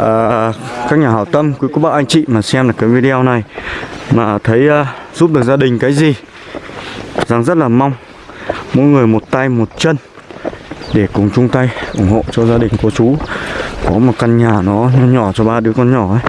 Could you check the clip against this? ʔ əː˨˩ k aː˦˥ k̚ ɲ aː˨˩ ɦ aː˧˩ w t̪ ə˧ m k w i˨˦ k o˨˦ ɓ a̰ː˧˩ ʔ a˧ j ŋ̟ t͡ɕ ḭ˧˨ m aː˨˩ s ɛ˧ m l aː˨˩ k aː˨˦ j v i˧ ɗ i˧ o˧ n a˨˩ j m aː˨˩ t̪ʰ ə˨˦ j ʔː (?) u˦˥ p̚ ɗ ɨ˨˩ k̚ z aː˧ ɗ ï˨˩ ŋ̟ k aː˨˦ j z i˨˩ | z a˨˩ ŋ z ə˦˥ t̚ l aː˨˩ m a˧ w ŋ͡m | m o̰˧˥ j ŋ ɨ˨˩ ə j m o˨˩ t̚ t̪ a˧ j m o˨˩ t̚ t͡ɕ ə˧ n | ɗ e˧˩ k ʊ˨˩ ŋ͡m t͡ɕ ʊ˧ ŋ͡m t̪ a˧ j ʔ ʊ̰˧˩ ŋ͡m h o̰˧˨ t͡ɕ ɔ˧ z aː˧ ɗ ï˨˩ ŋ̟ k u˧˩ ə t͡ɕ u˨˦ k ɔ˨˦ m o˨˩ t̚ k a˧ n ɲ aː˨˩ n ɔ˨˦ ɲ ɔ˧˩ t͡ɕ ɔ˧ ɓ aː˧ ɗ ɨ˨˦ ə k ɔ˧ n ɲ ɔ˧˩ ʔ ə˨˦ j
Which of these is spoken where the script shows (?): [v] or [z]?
z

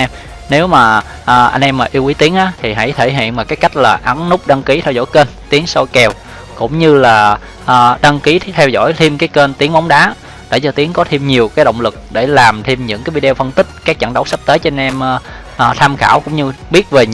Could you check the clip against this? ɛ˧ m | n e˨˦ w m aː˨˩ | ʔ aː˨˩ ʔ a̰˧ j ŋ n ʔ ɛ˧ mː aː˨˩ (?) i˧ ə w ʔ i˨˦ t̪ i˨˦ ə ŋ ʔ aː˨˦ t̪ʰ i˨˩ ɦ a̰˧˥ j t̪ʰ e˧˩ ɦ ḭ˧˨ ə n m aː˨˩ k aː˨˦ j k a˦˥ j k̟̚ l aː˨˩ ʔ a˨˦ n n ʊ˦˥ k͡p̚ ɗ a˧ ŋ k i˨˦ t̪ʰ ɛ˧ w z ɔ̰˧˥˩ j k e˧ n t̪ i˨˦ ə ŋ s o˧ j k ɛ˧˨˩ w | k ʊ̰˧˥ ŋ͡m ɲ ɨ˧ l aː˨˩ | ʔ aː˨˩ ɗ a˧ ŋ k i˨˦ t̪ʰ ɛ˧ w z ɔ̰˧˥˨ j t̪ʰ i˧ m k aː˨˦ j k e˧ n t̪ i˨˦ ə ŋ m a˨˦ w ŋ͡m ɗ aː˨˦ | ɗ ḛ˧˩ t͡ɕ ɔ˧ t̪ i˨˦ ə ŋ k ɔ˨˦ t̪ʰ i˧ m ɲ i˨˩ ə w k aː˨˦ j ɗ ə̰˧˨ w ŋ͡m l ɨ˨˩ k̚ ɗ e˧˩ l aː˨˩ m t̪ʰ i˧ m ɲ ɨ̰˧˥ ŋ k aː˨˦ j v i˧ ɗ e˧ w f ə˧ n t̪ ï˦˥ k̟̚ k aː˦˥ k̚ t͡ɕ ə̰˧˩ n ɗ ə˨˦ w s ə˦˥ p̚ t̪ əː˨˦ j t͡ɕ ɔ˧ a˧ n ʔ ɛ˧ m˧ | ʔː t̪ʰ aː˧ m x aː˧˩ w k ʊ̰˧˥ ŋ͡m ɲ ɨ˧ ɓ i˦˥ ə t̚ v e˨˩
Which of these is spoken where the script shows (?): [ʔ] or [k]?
ʔ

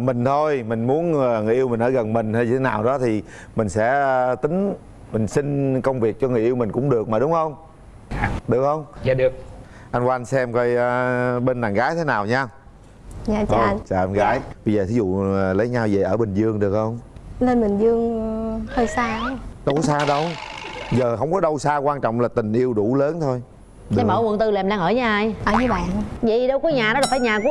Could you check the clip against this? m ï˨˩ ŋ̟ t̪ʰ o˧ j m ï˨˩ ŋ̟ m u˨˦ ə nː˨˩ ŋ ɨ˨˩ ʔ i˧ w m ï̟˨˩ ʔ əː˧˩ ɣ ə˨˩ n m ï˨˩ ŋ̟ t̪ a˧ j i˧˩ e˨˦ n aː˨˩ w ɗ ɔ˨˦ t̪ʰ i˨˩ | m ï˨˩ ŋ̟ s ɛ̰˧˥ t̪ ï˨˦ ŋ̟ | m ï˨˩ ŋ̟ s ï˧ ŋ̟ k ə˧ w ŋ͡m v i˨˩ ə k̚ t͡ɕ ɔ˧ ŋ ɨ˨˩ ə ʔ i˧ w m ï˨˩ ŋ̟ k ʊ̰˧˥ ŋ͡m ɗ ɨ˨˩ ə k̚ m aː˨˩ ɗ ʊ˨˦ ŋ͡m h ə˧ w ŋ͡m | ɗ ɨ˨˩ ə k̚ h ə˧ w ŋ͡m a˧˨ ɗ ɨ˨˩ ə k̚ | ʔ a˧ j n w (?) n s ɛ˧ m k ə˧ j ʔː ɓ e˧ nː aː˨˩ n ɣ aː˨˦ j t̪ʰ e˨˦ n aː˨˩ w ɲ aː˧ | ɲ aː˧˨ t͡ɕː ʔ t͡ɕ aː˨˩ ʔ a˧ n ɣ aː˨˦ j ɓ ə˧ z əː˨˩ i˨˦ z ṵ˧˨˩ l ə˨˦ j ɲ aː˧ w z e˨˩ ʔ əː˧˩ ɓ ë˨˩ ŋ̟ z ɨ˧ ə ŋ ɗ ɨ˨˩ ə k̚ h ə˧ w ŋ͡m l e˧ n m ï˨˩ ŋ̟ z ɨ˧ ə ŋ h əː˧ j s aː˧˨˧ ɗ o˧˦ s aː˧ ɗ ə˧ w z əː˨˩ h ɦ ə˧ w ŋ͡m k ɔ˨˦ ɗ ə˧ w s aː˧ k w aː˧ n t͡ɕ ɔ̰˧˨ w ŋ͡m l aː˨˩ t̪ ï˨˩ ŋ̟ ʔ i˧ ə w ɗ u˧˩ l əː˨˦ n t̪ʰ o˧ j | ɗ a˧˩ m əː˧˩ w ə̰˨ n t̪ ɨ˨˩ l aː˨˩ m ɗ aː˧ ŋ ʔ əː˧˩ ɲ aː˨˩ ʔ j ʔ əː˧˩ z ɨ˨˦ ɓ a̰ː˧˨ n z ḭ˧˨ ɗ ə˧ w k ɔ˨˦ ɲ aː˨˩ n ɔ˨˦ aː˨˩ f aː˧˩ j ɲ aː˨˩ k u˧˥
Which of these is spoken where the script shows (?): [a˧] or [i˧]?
a˧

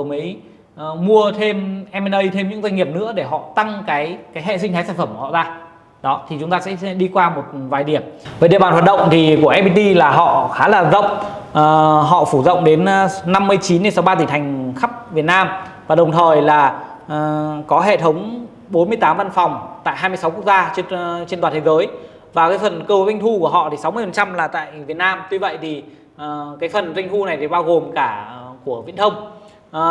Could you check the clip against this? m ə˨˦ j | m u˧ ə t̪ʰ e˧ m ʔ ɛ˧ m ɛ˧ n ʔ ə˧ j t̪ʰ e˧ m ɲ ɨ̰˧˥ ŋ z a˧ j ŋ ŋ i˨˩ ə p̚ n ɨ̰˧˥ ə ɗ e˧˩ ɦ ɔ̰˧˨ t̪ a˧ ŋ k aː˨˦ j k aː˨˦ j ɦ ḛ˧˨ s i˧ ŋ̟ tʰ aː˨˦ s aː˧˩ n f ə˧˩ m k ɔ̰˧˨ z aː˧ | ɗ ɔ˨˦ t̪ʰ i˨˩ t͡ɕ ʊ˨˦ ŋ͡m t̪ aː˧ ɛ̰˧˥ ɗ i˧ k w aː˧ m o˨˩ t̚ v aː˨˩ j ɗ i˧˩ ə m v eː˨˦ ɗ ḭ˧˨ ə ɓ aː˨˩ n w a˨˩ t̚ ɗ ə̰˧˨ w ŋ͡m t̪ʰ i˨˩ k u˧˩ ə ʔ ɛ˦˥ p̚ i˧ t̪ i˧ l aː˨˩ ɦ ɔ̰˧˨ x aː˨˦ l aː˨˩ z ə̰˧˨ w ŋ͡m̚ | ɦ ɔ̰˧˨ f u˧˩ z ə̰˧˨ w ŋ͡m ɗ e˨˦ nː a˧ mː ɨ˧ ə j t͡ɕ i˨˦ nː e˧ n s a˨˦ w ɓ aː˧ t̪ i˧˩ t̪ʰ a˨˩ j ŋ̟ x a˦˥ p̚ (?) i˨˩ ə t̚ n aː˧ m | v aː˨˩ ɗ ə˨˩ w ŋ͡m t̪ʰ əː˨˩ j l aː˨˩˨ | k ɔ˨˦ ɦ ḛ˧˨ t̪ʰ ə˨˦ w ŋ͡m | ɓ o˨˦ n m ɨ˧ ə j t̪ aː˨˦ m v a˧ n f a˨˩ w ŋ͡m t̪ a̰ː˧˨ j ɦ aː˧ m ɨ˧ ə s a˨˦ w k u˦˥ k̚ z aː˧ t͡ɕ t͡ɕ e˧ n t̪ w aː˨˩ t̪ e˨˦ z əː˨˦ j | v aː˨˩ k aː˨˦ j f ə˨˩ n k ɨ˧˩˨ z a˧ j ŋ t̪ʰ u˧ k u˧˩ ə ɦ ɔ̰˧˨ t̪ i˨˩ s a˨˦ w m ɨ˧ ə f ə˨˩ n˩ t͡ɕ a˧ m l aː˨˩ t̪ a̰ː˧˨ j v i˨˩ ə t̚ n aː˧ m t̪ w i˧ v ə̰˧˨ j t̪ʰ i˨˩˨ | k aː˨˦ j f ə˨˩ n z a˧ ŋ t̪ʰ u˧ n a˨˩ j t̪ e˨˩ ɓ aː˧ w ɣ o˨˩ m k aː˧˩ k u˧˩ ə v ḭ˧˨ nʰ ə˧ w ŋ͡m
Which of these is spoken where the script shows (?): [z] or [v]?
v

